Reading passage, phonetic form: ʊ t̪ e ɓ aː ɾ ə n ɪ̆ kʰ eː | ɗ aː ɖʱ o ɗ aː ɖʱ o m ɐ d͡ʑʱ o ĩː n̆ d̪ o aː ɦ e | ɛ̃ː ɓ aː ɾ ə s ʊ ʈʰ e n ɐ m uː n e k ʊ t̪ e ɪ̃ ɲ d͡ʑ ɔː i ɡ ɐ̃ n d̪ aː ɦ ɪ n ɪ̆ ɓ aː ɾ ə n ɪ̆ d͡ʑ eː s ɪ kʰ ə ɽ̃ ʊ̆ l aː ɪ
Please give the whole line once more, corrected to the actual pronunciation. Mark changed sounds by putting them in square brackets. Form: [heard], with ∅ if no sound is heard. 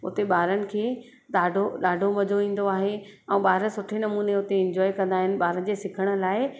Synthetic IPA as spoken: ʊ t̪ e ɓ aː ɾ ə n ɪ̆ kʰ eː | ɗ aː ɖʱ o ɗ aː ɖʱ o m ɐ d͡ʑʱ o ĩː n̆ d̪ o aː ɦ e | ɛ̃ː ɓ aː ɾ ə s ʊ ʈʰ e n ɐ m uː n e [∅] ʊ t̪ e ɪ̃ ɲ d͡ʑ ɔː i [k] ɐ̃ n d̪ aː ɦ ɪ n ɪ̆ ɓ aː ɾ ə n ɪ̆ d͡ʑ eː s ɪ kʰ ə ɽ̃ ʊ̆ l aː ɪ